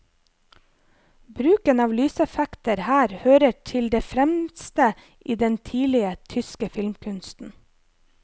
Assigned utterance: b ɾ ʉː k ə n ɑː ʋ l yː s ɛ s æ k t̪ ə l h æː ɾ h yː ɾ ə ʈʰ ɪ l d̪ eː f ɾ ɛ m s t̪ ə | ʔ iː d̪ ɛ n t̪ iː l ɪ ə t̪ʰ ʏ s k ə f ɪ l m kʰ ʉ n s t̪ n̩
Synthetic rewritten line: b ɾ ʉː k ə n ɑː ʋ l yː s ɛ f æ k t̪ ə ɾ h æː ɾ h øː ɾ ə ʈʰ ɪ l d̪ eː f ɾ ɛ m s t̪ ə | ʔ iː d̪ ɛ n t̪ʰ iː l ɪ ə t̪ʰ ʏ s k ə f ɪ l m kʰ ʉ n s t̪ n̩